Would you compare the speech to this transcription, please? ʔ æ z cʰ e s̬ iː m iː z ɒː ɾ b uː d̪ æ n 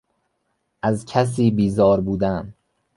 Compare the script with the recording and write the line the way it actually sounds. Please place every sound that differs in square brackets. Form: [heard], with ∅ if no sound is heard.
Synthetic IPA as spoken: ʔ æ z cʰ [æ] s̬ iː [b] iː z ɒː ɾ b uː d̪ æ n

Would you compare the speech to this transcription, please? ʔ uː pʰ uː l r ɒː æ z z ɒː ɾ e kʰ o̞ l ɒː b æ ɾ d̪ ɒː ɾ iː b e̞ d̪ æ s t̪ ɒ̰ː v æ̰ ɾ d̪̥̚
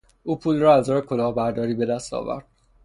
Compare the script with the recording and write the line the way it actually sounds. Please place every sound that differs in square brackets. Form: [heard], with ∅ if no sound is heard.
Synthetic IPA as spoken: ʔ uː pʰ uː l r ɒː æ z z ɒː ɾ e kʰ o̞ l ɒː b æ ɾ d̪ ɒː ɾ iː b e̞ d̪ æ s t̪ ɒ̰ː v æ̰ ɾ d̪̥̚

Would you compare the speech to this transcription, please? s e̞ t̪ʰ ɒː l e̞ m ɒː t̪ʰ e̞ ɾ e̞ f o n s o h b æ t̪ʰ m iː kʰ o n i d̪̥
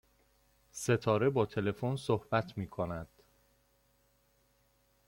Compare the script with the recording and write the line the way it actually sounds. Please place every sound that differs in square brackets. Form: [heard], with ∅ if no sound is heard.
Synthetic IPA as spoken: s e̞ t̪ʰ ɒː [ɾ] e̞ [b] ɒː t̪ʰ e̞ [l] e̞ f o n s o h b æ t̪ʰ m iː kʰ o n [æ] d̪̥

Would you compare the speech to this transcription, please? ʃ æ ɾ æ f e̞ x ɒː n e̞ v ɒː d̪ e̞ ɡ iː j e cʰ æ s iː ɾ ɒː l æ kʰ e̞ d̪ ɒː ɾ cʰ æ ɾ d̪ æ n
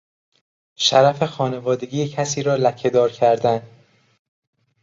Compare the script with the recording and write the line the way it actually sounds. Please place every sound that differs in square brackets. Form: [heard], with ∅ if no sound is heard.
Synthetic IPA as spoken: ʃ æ ɾ æ f e̞ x ɒː n e̞ v ɒː d̪ e̞ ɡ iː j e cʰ æ s iː ɾ ɒː l æ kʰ e̞ d̪ ɒː ɾ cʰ æ ɾ d̪ æ n

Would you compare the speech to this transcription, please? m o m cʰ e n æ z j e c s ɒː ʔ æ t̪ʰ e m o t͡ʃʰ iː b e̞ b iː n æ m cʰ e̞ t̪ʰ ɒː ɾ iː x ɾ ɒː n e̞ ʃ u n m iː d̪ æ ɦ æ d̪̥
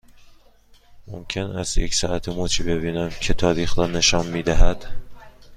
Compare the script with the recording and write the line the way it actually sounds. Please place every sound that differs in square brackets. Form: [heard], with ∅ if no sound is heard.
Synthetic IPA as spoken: m o m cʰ e n æ z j e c s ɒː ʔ æ t̪ʰ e m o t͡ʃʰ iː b e̞ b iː n æ m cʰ e̞ t̪ʰ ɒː ɾ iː x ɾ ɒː n e̞ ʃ [ɒ] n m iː d̪ æ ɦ æ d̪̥

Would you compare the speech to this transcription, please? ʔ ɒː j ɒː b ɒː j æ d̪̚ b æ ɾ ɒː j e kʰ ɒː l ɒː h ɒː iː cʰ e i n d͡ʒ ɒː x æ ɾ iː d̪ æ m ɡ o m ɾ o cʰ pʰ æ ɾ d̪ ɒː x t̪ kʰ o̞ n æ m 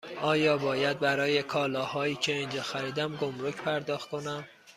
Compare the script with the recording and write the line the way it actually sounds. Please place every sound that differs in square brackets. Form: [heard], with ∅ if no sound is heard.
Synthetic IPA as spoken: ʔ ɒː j ɒː b ɒː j æ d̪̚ b æ ɾ ɒː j e kʰ ɒː l ɒː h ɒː iː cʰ e i n d͡ʒ ɒː x æ ɾ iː d̪ æ m ɡ o m ɾ o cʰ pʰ æ ɾ d̪ ɒː x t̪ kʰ o̞ n æ m

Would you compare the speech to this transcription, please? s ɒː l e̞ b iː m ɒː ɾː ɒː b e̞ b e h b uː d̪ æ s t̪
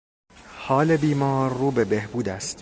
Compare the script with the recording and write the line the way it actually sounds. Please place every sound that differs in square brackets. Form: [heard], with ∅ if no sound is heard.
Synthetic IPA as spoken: [h] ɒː l e̞ b iː m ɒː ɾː [uː] b e̞ b e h b uː d̪ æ s t̪

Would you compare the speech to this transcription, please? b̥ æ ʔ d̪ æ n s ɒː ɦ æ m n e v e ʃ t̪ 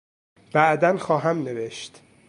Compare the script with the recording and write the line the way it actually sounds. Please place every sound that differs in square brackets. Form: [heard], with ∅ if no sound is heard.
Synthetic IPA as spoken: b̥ æ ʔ d̪ æ n [x] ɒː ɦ æ m n e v e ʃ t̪

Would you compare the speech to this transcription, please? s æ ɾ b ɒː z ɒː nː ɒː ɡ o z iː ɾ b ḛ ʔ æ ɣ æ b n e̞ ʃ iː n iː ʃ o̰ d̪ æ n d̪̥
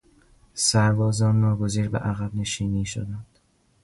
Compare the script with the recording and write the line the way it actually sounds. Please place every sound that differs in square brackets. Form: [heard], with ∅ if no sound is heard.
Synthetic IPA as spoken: s æ ɾ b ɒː z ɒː nː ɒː ɡ o z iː ɾ b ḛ ʔ æ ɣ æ b n e̞ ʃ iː n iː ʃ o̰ d̪ æ n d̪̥

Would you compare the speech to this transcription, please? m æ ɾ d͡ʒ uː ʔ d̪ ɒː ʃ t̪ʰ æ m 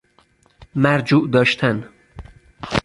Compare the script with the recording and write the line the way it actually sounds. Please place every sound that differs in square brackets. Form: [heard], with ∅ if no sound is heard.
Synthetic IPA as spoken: m æ ɾ d͡ʒ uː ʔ d̪ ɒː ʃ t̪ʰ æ [n]

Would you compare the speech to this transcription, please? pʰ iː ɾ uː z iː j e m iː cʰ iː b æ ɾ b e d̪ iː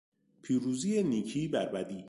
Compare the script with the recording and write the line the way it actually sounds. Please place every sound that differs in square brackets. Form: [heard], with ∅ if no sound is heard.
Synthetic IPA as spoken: pʰ iː ɾ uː z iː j e [n] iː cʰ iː b æ ɾ b [æ] d̪ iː

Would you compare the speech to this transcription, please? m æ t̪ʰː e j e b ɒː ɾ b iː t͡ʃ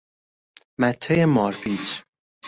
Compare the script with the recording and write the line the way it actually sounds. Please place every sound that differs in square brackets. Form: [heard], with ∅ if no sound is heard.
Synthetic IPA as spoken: m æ t̪ʰː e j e [m] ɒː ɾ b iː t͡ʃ

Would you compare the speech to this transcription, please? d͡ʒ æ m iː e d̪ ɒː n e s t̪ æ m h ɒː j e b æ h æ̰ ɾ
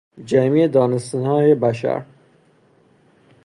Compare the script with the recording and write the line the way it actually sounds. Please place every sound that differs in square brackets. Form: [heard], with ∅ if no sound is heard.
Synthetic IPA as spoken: d͡ʒ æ m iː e d̪ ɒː n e s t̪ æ [n] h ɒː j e b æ [ʃ] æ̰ ɾ

